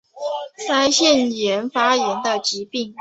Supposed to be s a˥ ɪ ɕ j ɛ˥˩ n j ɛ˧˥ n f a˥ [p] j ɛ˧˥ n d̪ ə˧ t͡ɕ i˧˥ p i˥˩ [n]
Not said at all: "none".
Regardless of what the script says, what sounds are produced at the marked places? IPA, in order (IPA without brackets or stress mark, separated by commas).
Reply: none, ŋ